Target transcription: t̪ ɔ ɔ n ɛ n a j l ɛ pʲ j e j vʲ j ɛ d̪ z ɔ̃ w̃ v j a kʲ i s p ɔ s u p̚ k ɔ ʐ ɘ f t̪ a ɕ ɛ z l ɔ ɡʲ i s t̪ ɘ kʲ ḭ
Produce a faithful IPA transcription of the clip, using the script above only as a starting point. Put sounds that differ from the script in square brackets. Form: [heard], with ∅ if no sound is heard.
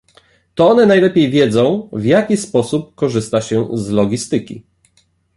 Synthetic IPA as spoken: t̪ ɔ ɔ n ɛ n a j l ɛ pʲ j e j vʲ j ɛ d̪ z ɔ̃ w̃ v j a kʲ i s p ɔ s u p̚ k ɔ ʐ ɘ [s] t̪ a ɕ ɛ z l ɔ ɡʲ i s t̪ ɘ kʲ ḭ